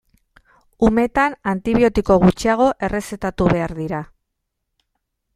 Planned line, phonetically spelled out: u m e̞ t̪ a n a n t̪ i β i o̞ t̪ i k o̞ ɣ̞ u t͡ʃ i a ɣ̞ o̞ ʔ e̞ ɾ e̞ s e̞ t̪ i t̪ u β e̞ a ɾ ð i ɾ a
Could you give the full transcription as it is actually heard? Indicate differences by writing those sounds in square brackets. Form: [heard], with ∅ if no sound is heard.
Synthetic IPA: u m e̞ t̪ a n a n t̪ i β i o̞ t̪ i k o̞ ɣ̞ u t͡ʃ i a ɣ̞ o̞ ʔ e̞ [r] e̞ s e̞ t̪ [a] t̪ u β e̞ a ɾ ð i ɾ a